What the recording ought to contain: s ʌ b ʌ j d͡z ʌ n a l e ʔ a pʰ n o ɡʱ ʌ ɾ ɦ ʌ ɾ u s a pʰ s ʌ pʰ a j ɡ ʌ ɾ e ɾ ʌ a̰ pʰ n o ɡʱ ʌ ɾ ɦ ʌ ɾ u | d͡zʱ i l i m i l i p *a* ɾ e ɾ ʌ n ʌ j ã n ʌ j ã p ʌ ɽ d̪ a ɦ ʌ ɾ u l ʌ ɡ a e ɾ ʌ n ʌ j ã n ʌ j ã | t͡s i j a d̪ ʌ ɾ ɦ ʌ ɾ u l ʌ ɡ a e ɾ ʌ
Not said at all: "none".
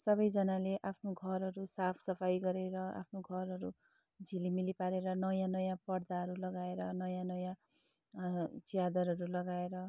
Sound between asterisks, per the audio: a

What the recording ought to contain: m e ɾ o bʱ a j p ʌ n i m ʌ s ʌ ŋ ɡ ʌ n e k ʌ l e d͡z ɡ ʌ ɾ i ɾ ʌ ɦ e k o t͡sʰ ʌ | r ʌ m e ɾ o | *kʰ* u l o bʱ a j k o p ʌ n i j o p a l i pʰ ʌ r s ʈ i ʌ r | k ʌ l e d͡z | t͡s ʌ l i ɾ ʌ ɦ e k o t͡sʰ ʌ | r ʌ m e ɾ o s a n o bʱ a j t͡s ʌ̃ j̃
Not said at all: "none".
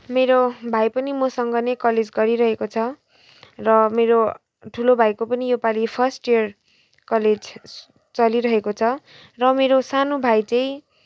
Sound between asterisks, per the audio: ʈʰ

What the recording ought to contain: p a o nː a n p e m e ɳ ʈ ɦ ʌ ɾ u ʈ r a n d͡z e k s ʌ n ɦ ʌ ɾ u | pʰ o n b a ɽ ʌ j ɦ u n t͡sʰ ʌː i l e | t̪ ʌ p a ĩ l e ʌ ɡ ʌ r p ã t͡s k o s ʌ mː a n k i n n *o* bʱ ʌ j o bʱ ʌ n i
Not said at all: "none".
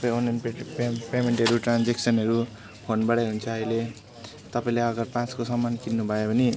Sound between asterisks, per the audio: u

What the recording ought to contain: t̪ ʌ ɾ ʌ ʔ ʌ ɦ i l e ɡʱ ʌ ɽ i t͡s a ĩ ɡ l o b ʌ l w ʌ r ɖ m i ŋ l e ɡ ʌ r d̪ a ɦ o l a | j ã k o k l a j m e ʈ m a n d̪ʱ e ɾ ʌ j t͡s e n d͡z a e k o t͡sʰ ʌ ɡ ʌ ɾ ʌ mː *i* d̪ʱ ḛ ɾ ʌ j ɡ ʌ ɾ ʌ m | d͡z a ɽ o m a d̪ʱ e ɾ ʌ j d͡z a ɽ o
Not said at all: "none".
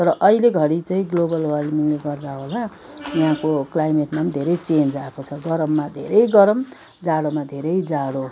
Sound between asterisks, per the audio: a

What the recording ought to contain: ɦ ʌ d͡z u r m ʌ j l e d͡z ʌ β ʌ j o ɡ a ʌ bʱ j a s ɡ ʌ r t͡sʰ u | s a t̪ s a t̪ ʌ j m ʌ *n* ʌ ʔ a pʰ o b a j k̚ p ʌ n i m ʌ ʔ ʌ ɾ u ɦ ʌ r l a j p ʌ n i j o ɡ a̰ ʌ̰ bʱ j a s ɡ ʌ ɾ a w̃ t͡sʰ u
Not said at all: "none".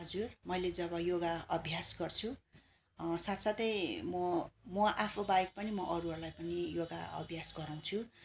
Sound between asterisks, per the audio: m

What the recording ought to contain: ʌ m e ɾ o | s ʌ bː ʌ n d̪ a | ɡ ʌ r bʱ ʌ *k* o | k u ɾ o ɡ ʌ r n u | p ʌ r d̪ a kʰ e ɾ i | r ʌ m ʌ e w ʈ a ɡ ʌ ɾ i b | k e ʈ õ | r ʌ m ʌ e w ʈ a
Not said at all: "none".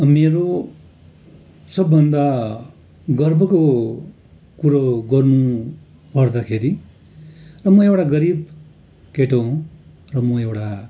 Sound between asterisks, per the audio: k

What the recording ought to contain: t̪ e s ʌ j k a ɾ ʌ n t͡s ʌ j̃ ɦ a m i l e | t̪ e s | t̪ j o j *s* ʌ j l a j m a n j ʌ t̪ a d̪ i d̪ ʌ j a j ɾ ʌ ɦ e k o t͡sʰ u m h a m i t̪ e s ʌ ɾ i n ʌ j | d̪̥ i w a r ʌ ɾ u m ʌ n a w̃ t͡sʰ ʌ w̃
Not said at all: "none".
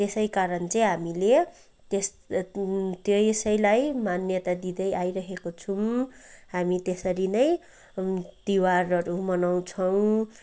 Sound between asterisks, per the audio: s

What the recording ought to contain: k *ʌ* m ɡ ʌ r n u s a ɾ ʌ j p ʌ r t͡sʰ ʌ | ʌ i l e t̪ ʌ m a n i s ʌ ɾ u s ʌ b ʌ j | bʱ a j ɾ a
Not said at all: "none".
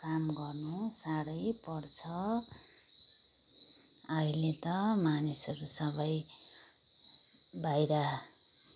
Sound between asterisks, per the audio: a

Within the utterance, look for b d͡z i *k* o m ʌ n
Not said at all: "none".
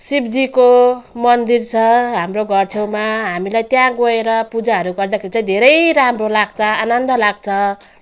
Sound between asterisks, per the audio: k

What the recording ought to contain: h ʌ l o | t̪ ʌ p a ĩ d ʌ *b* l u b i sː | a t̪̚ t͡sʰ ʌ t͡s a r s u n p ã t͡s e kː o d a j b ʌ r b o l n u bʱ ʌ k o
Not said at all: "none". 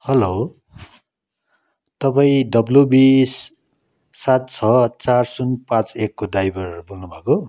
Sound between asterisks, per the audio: b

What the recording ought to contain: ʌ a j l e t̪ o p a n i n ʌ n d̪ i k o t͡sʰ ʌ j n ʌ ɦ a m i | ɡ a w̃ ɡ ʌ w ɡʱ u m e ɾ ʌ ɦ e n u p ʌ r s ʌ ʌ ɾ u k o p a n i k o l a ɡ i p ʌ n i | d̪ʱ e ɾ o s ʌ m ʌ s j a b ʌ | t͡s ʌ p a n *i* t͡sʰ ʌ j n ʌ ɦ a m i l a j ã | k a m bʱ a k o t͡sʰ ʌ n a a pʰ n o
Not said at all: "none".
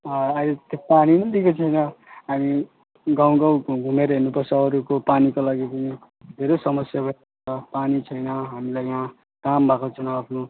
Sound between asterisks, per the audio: i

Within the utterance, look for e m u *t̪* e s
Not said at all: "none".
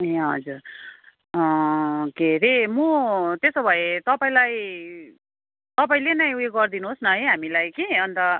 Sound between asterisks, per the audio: t̪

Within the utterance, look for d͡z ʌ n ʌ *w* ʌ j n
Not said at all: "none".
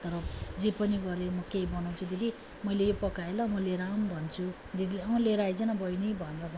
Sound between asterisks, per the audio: b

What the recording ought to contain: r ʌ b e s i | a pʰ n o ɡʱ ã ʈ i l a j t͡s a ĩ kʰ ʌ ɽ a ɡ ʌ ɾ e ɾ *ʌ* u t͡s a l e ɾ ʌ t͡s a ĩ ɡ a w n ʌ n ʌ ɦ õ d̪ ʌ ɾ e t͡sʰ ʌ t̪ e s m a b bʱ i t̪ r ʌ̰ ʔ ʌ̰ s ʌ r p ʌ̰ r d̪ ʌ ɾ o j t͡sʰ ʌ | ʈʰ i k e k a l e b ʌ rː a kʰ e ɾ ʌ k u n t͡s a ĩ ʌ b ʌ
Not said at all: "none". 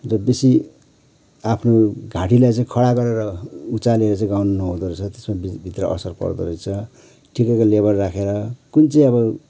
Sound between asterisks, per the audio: ʌ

